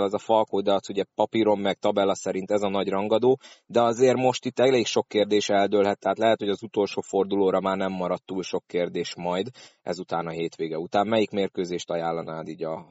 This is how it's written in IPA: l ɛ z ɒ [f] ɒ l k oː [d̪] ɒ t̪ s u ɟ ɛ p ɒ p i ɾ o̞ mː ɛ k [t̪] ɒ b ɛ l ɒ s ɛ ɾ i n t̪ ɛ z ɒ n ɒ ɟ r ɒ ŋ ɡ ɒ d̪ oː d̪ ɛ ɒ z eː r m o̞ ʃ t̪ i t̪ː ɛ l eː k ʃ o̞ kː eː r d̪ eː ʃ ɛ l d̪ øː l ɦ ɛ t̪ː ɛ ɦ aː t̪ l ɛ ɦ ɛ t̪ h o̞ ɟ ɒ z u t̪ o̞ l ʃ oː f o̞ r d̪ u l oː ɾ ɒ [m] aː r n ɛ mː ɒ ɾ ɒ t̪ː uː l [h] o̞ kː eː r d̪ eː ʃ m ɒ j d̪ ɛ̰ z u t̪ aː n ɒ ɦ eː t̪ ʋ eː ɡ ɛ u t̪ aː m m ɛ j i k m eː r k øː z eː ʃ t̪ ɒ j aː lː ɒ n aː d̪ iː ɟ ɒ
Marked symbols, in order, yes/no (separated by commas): yes, yes, yes, yes, no